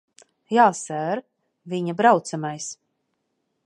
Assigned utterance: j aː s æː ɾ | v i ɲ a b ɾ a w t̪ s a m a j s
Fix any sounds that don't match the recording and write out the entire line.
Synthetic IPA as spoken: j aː s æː ɾ | v i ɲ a b ɾ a w t̪ s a m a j s